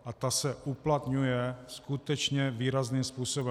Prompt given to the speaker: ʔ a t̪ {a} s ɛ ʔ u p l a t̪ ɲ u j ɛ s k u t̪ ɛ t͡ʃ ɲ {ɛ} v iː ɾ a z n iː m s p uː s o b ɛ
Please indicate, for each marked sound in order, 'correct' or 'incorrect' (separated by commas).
correct, correct